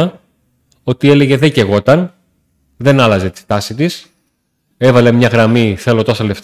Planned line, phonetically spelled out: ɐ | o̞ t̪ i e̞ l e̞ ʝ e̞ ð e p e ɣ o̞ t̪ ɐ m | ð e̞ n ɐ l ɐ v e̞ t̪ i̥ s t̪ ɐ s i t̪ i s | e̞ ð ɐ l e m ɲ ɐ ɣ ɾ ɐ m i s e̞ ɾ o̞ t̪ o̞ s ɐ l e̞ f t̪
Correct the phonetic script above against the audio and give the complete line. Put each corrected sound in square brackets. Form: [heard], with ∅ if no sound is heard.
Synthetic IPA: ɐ | o̞ t̪ i e̞ l e̞ ʝ e̞ ð e [c] e ɣ o̞ t̪ ɐ [n] | ð e̞ n ɐ l ɐ [z] e̞ t̪ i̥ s t̪ ɐ s i t̪ i s | e̞ [v] ɐ l e m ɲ ɐ ɣ ɾ ɐ m i [θ] e̞ [l] o̞ t̪ o̞ s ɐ l e̞ f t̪